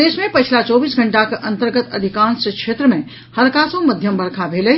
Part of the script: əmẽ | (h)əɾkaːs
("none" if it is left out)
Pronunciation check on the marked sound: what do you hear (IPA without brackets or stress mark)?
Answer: h